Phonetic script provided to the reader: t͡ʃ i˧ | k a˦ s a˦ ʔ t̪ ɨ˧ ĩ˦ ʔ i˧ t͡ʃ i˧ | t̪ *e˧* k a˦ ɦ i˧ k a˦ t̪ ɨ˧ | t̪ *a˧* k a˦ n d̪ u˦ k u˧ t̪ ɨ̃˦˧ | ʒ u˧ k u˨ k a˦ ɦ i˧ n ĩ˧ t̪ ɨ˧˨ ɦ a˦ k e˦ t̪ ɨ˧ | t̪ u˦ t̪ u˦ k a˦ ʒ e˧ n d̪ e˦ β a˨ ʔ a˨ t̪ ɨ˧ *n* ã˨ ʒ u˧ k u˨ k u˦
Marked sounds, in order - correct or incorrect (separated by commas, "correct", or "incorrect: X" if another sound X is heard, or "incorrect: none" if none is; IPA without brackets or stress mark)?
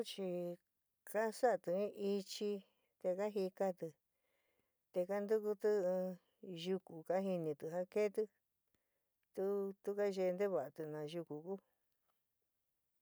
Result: correct, incorrect: e˧, correct